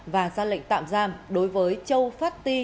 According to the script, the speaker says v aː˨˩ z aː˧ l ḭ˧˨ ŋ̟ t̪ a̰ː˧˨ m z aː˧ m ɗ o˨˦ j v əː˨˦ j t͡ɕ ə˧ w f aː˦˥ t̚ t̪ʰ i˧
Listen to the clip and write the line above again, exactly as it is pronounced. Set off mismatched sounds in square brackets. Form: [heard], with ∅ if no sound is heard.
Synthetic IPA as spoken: v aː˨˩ z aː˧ l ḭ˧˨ ŋ̟ t̪ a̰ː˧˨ m z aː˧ m ɗ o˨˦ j v əː˨˦ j t͡ɕ ə˧ w f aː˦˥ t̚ [t̪] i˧